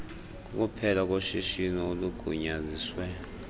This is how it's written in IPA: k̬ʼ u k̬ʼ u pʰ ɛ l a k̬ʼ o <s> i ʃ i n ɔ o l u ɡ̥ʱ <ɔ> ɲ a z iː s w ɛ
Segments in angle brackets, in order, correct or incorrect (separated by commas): incorrect, incorrect